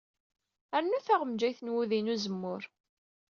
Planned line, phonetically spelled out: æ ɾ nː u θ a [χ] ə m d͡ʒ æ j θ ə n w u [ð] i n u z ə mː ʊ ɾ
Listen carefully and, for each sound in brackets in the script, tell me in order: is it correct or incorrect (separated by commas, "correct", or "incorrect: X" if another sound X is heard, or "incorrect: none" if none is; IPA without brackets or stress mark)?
incorrect: ʁ, correct